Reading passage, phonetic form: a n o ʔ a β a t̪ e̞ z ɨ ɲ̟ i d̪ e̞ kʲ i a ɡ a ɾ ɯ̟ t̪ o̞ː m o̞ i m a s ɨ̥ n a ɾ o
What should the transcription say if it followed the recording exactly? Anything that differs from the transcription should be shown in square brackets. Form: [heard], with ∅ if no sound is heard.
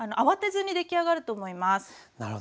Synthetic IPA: a n o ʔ a β a t̪ e̞ z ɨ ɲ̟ i d̪ e̞ kʲ i a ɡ a ɾ ɯ̟ t̪ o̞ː m o̞ i m a s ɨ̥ n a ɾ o